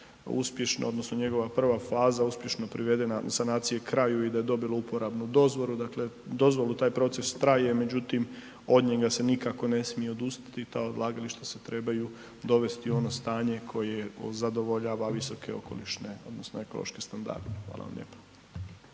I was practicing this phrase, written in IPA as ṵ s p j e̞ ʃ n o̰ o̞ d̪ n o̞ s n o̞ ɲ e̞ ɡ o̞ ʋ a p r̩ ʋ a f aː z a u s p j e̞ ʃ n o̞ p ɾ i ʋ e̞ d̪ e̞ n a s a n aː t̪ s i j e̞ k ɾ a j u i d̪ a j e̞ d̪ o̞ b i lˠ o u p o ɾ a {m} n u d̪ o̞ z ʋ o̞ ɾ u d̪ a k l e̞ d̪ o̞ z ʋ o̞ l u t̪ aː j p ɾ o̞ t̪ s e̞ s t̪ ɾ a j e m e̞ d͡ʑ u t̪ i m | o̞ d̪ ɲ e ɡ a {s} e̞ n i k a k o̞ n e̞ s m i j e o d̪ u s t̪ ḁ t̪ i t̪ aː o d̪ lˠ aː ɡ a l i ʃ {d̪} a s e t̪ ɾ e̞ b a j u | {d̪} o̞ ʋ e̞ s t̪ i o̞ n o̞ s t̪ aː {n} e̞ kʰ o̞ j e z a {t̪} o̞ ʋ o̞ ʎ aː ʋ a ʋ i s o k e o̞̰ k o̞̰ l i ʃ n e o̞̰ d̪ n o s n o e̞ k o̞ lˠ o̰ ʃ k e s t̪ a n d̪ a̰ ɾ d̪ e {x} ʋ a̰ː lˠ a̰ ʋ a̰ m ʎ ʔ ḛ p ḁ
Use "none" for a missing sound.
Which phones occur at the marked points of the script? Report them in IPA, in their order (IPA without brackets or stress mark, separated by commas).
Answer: b, s, t̪, d̪, ɲ, d̪, x